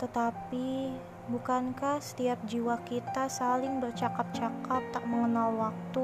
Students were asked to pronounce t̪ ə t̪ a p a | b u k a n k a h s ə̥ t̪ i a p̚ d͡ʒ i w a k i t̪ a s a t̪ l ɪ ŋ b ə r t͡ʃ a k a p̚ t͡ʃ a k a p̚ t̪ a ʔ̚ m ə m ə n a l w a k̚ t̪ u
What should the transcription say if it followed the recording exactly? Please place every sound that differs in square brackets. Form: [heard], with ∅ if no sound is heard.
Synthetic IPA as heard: t̪ ə t̪ a p [i] | b u k a n k a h s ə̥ t̪ i a p̚ d͡ʒ i w a k i t̪ a s a [∅] l ɪ ŋ b ə r t͡ʃ a k a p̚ t͡ʃ a k a p̚ t̪ a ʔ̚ m ə [ŋ] ə n a l w a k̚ t̪ u